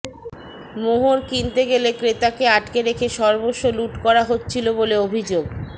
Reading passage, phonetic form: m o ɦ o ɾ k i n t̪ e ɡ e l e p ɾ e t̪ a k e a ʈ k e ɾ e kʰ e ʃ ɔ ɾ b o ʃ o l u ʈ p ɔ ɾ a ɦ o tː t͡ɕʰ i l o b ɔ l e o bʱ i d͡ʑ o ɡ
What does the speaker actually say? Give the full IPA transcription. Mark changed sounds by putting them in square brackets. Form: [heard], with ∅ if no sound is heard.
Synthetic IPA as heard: m o ɦ o ɾ k i n t̪ e ɡ e l e [k] ɾ e t̪ a k e a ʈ k e ɾ e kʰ e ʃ ɔ ɾ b o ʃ o l u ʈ [k] ɔ ɾ a ɦ o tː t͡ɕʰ i l o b [o] l e o bʱ i d͡ʑ o ɡ